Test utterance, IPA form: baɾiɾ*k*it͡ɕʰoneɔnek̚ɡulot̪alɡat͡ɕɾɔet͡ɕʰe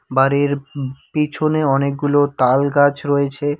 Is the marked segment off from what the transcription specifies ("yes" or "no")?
yes